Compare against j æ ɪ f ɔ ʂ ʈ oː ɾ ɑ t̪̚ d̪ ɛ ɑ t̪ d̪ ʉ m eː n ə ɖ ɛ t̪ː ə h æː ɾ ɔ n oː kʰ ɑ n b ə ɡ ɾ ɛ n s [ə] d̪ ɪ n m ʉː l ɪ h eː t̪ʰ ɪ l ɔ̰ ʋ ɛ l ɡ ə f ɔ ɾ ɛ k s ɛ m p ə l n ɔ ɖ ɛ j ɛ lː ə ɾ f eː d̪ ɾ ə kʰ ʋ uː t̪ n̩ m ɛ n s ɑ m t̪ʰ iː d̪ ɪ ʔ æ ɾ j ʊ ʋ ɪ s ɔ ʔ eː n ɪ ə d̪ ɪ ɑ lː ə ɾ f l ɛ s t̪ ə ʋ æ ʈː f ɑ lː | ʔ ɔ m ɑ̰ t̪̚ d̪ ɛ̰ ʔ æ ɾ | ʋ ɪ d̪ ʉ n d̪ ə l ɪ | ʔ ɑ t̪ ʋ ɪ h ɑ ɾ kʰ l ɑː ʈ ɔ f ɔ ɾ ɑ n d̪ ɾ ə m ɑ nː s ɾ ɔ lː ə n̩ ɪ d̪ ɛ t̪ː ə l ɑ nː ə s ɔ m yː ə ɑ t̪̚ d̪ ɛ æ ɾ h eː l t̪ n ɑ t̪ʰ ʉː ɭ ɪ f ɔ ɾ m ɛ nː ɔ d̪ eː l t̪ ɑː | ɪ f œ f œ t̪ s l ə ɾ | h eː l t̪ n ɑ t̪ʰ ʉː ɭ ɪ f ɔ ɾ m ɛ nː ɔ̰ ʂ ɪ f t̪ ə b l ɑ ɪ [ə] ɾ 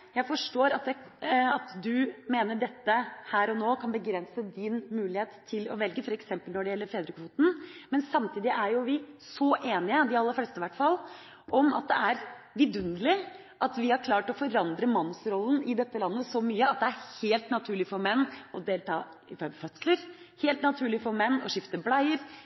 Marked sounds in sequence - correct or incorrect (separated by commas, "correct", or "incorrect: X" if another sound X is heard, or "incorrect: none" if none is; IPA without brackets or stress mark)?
correct, correct